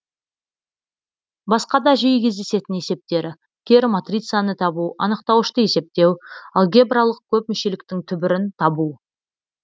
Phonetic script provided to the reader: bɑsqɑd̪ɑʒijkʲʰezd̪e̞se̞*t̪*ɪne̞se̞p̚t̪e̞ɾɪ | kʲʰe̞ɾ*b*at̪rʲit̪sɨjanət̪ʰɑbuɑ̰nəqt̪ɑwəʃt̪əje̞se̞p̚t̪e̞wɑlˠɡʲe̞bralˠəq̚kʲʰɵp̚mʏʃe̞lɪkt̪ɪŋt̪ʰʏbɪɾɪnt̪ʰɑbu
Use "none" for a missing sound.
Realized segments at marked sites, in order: t̪, m

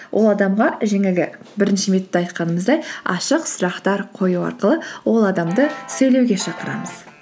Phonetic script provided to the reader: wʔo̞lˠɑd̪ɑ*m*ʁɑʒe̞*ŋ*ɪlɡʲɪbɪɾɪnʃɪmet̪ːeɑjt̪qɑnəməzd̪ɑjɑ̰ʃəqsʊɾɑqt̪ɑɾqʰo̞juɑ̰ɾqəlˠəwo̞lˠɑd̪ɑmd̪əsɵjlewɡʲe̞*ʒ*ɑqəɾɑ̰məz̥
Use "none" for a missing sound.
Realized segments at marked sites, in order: m, ŋ, ʃ

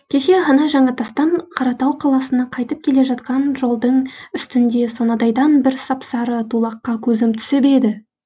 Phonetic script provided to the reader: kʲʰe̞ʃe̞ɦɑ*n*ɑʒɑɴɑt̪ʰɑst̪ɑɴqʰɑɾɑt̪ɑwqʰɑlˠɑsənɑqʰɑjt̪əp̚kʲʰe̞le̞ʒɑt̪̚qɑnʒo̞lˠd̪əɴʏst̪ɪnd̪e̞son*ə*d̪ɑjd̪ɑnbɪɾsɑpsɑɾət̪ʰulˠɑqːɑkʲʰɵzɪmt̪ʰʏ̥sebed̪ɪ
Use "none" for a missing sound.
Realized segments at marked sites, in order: n, ɑ

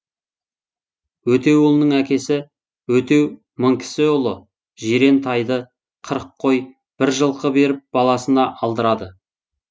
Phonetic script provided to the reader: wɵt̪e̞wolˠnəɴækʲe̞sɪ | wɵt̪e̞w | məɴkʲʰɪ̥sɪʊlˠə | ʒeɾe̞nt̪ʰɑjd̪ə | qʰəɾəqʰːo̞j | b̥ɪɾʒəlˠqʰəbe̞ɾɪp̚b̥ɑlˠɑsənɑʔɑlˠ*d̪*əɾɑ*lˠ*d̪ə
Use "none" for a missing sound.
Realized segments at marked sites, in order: d̪, none

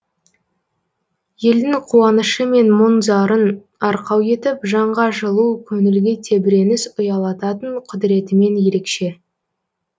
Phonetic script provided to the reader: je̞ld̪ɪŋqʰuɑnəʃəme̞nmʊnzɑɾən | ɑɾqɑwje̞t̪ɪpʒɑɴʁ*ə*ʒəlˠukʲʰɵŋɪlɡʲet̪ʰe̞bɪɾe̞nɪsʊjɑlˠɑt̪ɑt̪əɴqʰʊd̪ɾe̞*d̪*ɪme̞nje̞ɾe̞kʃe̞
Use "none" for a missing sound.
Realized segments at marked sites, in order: ɑ, t̪

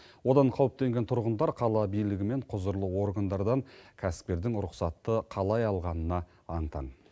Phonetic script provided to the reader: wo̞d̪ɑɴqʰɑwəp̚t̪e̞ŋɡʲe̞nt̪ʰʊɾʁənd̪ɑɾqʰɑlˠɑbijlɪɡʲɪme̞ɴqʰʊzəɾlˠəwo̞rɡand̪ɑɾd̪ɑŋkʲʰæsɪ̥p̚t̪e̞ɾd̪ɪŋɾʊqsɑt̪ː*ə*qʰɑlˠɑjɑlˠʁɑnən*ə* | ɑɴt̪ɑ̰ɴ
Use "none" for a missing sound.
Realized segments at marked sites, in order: ə, ɑ

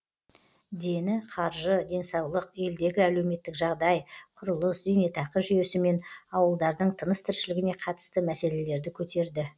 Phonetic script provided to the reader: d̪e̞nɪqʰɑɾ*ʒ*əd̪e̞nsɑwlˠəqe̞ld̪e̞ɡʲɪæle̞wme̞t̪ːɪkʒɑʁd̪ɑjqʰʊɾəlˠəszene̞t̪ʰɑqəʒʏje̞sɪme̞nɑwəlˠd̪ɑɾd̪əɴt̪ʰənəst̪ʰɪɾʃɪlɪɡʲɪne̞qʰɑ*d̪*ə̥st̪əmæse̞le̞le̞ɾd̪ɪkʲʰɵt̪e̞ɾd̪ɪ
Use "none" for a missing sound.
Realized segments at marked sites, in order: ʒ, t̪

